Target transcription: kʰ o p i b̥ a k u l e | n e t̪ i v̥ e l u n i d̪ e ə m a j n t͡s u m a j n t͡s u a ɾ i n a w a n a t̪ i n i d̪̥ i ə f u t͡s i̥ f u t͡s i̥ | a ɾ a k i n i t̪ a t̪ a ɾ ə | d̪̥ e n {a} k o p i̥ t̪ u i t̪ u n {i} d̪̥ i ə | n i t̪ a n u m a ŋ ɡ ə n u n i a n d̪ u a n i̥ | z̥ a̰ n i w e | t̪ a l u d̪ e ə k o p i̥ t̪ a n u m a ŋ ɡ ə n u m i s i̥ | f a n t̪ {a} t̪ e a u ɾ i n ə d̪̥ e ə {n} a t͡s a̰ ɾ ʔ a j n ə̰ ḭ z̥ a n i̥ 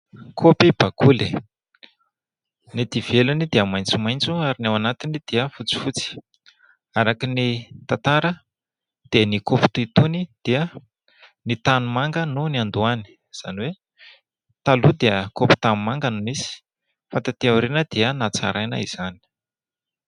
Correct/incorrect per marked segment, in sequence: incorrect: i, correct, correct, correct

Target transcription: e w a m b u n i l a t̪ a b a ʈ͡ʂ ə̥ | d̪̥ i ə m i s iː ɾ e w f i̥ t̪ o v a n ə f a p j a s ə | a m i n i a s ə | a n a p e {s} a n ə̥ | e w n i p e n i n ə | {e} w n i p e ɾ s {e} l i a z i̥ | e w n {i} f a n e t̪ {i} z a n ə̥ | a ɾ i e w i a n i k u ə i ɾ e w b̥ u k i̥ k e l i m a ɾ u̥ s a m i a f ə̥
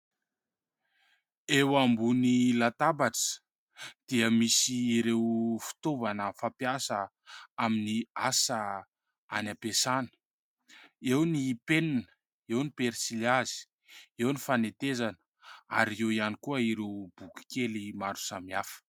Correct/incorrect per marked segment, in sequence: correct, correct, incorrect: i, correct, incorrect: e

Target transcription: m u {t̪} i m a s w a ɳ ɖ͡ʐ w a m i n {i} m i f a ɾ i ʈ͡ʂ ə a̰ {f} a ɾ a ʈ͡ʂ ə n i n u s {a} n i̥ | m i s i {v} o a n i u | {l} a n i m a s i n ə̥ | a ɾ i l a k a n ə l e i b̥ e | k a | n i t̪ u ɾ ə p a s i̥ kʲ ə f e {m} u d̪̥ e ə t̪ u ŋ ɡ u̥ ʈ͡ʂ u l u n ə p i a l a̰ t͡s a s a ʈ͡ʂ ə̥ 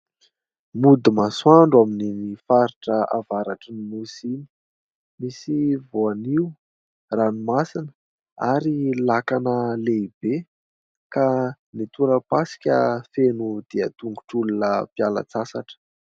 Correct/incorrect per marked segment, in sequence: incorrect: d̪, correct, incorrect: v, incorrect: i, correct, incorrect: r, incorrect: n

